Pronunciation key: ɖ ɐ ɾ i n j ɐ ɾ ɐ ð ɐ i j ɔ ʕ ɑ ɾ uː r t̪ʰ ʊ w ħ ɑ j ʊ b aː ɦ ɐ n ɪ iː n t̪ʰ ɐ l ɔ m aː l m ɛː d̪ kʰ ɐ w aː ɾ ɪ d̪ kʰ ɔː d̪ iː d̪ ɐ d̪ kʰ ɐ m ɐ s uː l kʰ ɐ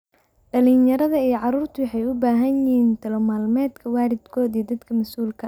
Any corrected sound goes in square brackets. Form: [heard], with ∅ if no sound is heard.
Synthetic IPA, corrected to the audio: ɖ ɐ [l] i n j ɐ ɾ ɐ ð ɐ i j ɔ ʕ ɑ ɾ uː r t̪ʰ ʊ w ħ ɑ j ʊ b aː ɦ ɐ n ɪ iː n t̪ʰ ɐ l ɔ m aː l m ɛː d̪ kʰ ɐ w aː ɾ ɪ d̪ kʰ ɔː d̪ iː d̪ ɐ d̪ kʰ ɐ m ɐ s uː l kʰ ɐ